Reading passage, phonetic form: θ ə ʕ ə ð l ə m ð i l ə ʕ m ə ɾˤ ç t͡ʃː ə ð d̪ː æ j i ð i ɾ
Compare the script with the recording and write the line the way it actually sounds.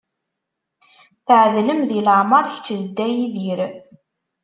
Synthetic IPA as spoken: θ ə ʕ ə ð l ə m ð i l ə ʕ m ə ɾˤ ç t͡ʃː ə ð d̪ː æ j i ð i ɾ